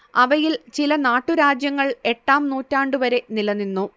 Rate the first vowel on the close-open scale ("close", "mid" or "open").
open